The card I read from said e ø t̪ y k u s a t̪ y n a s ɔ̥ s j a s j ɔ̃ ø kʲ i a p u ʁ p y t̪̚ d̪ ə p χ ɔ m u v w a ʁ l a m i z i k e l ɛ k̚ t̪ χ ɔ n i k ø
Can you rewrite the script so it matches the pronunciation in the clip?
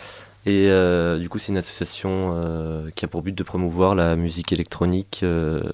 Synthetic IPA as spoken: e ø d̪ y k u s ɛ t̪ y n a s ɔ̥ s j a s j ɔ̃ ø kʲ i a p u ʁ b y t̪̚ d̪ ə p χ ɔ m u v w a ʁ l a m y z i k e l ɛ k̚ t̪ χ ɔ n i k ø